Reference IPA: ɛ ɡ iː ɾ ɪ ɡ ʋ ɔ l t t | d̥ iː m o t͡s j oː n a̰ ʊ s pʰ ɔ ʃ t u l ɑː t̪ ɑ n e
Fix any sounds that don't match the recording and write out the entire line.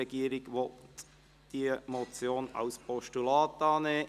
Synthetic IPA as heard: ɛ ɡ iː ɾ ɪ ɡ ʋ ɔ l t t | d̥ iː m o t͡s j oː n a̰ ʊ s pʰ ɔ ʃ t u l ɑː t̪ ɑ n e